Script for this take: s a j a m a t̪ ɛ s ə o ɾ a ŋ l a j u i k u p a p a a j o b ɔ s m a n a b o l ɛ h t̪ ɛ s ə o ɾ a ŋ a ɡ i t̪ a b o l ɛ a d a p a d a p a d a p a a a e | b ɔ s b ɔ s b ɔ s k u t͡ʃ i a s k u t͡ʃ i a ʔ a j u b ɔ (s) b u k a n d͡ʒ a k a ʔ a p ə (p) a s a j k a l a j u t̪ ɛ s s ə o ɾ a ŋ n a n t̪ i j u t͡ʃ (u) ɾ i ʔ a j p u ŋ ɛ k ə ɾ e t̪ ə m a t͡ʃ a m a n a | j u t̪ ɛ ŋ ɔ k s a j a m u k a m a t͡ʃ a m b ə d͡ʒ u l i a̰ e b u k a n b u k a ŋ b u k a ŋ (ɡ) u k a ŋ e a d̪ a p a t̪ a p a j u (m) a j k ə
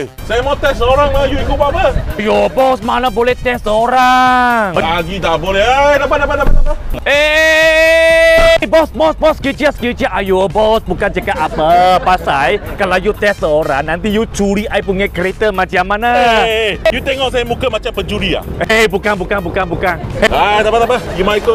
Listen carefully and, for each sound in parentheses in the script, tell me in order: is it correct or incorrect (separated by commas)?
correct, correct, correct, incorrect, correct